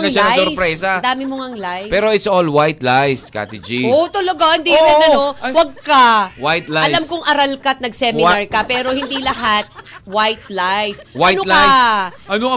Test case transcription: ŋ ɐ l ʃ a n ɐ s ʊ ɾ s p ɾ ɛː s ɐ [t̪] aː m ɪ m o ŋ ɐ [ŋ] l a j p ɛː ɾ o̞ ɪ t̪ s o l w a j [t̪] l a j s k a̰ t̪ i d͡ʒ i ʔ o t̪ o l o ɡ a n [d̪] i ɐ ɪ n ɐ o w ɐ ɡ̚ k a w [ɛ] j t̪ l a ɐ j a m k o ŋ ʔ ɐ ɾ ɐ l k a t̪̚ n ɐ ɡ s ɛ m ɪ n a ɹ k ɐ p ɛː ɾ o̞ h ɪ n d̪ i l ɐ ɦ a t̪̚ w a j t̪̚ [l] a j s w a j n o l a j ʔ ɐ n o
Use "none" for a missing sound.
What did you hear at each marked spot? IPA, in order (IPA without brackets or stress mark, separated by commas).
d̪, ŋ, t̪, d̪, a, l